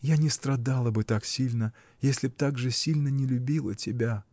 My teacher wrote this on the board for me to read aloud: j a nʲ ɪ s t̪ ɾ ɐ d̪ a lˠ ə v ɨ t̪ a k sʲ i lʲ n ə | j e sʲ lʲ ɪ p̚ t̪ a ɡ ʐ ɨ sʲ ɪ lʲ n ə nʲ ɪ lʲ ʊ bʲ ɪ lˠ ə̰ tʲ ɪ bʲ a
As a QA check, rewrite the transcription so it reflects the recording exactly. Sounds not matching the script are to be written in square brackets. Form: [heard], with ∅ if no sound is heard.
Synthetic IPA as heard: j a nʲ ɪ s t̪ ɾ ɐ d̪ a lˠ ə [b] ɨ t̪ a k sʲ i lʲ n ə | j e sʲ lʲ ɪ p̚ t̪ a ɡ ʐ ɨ sʲ [i] lʲ n ə nʲ ɪ lʲ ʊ bʲ [i] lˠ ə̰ tʲ ɪ bʲ a